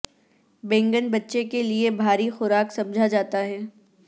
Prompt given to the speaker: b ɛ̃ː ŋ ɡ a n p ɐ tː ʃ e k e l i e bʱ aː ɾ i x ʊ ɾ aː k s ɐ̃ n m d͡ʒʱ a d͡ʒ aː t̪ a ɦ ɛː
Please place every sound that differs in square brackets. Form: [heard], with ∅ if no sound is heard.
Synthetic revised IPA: b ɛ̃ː ŋ ɡ [ə] n [b] ɐ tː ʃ e k e l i e bʱ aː ɾ i x ʊ ɾ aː k s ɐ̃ [∅] m d͡ʒʱ a d͡ʒ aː t̪ a ɦ ɛː